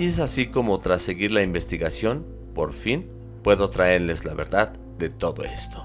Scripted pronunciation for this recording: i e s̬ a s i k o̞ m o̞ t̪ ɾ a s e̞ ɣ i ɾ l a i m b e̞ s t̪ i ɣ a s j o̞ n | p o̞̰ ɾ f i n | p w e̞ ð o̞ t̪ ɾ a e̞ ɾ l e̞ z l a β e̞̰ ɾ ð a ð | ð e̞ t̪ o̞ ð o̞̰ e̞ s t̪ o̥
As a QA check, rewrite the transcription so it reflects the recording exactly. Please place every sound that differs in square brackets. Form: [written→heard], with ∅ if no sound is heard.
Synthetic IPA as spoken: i e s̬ a s i k o̞ m o̞ t̪ ɾ a s e̞ ɣ i ɾ l a i m b e̞ s t̪ i ɣ a s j o̞ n | p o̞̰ ɾ f i n | p w e̞ ð o̞ t̪ ɾ a e̞ ɾ l e̞ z l a β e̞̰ ɾ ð a ð | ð e̞ t̪ o̞ ð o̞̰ e̞ s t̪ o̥